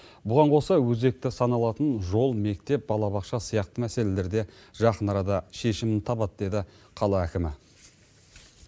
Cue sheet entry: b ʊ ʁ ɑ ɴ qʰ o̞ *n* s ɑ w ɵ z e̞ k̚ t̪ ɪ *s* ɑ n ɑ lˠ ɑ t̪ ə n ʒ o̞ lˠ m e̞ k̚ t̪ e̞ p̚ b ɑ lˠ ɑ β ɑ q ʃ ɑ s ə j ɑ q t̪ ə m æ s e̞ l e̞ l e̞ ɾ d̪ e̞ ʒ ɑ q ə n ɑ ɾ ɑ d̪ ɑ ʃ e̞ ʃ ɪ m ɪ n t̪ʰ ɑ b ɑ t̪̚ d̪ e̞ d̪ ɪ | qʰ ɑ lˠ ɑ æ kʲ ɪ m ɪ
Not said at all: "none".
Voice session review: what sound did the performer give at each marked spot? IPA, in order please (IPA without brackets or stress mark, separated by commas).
none, s